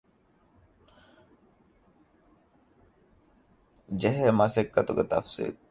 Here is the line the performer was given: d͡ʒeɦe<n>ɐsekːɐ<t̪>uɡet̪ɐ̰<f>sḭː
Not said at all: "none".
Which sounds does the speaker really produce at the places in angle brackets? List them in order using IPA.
m, t̪, f

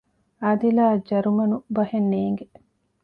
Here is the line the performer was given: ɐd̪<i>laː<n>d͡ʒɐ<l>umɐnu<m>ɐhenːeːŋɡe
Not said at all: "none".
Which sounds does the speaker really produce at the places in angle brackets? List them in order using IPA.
i, none, ɾ, b

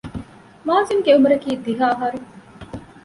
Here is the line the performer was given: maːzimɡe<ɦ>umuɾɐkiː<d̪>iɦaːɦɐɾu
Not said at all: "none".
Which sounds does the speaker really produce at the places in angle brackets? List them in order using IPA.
none, d̪

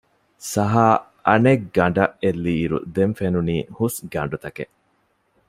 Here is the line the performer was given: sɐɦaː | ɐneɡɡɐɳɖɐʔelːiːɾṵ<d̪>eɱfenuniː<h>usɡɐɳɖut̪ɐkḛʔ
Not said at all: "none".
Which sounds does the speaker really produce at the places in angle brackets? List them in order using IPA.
d̪, h

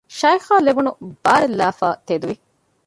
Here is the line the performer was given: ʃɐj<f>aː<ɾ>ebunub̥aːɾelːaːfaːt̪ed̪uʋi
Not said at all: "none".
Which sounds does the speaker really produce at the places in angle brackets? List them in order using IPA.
x, l

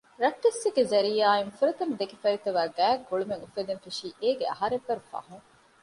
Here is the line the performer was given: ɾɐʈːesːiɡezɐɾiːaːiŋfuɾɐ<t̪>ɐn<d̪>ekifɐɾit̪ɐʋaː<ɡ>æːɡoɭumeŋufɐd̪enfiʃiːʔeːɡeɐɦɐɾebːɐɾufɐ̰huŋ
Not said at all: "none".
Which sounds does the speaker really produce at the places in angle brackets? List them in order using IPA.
t̪, d̪, ɡ

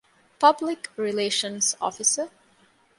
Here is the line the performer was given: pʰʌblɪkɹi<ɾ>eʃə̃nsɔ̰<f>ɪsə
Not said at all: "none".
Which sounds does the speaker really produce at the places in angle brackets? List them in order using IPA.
l, f

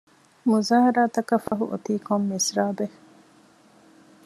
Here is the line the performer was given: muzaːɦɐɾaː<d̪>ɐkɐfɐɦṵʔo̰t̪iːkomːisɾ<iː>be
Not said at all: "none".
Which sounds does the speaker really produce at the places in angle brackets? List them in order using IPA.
t̪, aː

